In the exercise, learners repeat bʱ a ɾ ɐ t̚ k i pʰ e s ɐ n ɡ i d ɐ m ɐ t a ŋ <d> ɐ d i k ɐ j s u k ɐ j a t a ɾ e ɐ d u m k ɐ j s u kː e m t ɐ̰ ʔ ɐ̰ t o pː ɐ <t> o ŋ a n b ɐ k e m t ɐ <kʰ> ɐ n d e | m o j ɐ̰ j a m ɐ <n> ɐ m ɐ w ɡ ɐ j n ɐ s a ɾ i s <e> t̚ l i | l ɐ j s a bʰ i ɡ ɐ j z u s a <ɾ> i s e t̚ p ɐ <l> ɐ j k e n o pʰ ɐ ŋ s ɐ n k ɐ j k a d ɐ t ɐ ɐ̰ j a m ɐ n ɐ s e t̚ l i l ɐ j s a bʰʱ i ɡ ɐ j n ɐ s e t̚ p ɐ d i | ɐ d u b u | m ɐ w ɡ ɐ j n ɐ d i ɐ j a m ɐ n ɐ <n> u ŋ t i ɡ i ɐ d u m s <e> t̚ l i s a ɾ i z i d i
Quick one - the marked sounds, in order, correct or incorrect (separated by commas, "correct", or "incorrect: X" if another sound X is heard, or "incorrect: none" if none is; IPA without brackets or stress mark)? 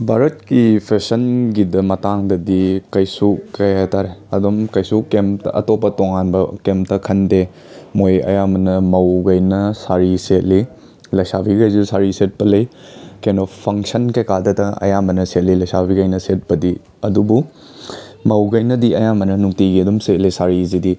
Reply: correct, correct, correct, correct, correct, correct, correct, correct, correct